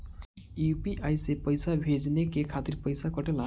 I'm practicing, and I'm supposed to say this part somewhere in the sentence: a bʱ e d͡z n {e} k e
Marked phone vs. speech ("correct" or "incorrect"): correct